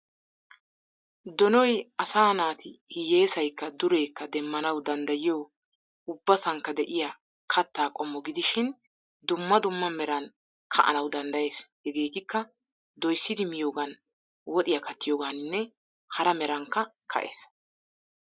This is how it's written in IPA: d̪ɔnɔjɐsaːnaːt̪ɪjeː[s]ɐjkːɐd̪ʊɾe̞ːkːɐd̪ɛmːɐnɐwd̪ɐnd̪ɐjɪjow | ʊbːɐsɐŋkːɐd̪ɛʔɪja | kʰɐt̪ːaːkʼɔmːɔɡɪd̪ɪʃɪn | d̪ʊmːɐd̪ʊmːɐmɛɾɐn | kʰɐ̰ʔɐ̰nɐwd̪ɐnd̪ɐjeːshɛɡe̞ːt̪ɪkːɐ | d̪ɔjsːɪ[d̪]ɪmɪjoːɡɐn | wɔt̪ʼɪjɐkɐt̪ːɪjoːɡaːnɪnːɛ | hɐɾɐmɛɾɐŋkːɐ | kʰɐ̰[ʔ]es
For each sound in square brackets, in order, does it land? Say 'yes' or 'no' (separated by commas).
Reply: yes, yes, yes